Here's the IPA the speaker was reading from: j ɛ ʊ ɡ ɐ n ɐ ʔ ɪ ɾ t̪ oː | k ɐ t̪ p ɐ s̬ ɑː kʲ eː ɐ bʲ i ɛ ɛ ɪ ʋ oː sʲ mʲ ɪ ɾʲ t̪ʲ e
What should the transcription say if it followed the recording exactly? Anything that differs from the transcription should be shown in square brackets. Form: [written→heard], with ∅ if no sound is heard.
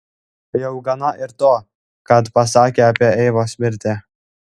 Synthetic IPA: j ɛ ʊ ɡ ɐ n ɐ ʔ ɪ ɾ t̪ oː | k ɐ t̪ p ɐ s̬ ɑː kʲ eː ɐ [bʲ→pʲ] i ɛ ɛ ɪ ʋ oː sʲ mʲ ɪ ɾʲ t̪ʲ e

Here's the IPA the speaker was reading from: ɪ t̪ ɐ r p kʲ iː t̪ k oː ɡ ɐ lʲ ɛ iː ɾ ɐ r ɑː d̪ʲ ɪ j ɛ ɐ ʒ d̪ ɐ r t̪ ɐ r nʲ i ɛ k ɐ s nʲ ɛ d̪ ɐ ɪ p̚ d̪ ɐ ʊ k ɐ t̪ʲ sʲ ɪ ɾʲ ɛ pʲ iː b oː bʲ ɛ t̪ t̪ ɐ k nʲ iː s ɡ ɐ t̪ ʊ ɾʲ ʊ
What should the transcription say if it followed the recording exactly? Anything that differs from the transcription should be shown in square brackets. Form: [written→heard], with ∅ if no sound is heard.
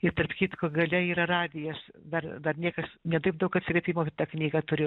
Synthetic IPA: ɪ t̪ ɐ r p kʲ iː t̪ k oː ɡ ɐ lʲ ɛ iː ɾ ɐ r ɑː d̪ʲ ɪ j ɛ ɐ [ʒ→ʃ] d̪ ɐ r [t̪→d̪] ɐ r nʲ i ɛ k ɐ s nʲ ɛ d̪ ɐ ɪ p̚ d̪ ɐ ʊ k ɐ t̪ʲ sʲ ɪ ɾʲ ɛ pʲ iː [b→m] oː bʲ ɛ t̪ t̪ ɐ k nʲ iː [s→∅] ɡ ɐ t̪ ʊ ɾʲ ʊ

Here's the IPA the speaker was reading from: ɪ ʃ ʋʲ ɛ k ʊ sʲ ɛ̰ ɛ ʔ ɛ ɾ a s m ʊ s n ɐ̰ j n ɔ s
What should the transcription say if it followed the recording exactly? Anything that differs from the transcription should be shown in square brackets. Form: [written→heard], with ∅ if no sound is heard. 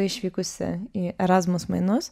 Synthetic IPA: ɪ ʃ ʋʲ [ɛ→i] k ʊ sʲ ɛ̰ [ɛ→i] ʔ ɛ ɾ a [s→z] m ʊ s [n→m] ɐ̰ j n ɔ s

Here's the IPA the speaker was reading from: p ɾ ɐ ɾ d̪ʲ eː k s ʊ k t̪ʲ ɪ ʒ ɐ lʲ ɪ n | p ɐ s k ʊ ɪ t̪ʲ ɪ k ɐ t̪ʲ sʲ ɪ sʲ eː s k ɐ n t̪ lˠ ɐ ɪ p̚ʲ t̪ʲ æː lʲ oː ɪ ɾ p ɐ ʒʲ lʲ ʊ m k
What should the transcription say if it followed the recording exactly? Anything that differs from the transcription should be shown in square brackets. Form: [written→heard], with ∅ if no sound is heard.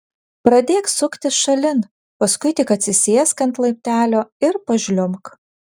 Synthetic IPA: p ɾ ɐ [ɾ→∅] d̪ʲ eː k s ʊ k t̪ʲ ɪ [ʒ→ʃ] ɐ lʲ ɪ n | p ɐ s k ʊ ɪ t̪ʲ ɪ k ɐ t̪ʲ sʲ ɪ sʲ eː s k ɐ n t̪ lˠ ɐ ɪ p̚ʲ t̪ʲ æː lʲ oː ɪ ɾ p ɐ ʒʲ lʲ ʊ m k

